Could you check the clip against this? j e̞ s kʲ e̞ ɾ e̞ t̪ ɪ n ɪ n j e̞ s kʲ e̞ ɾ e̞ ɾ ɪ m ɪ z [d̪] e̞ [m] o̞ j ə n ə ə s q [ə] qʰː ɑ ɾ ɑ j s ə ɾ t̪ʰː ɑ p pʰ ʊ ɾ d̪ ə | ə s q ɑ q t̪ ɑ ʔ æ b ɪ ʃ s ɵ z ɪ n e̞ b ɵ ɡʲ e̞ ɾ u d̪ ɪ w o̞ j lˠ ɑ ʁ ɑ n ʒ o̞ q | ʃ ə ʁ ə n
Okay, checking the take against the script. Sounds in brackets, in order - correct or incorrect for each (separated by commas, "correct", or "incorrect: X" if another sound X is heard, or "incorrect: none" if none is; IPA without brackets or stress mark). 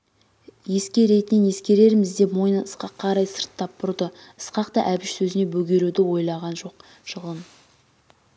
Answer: correct, correct, incorrect: ɑ